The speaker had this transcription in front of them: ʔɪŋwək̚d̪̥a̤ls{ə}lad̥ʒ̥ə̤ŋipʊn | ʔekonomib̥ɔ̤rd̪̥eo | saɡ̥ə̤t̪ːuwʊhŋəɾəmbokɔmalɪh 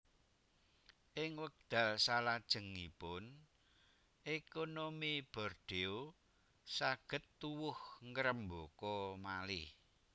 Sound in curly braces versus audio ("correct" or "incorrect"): incorrect